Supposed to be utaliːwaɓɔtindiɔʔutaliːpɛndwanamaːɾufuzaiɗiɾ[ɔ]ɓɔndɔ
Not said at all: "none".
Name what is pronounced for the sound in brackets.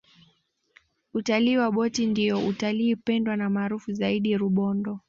u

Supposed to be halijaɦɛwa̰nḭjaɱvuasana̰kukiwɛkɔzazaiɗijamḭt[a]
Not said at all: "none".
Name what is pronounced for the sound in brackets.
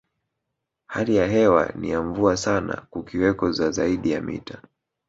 a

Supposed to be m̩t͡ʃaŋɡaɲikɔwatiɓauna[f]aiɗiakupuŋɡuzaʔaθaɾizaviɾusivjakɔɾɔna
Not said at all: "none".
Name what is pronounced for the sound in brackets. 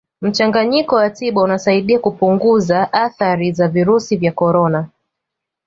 s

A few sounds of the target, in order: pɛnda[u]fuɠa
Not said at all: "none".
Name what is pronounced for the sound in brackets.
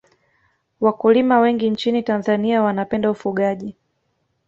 u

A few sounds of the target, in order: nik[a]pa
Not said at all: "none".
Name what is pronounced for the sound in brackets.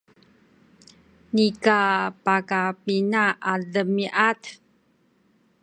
a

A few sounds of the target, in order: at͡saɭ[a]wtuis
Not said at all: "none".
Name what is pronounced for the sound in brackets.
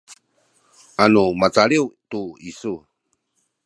i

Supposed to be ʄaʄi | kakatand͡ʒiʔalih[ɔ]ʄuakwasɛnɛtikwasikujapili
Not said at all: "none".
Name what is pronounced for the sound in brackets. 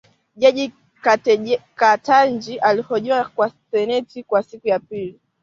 ɔ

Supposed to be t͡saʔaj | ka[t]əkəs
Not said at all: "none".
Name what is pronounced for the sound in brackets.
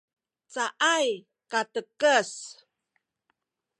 t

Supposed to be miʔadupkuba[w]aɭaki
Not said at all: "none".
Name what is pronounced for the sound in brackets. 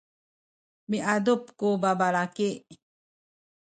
b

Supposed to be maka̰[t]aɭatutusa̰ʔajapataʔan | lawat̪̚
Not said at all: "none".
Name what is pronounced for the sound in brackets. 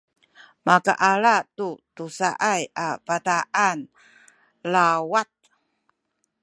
ʔ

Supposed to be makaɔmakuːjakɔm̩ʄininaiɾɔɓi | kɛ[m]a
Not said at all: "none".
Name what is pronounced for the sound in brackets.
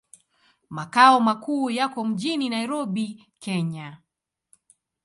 ɲ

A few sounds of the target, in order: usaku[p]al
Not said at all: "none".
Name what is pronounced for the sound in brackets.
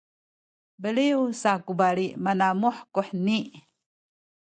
b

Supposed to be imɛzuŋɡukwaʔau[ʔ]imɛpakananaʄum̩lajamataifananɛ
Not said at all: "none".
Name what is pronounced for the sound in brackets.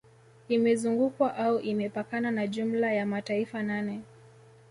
ʔ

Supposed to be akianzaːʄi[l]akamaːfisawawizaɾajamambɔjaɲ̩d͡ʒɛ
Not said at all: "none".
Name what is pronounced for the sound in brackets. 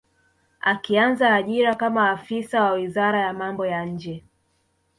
ɾ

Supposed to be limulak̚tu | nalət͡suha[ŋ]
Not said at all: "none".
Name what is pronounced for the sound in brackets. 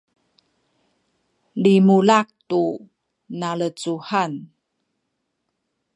n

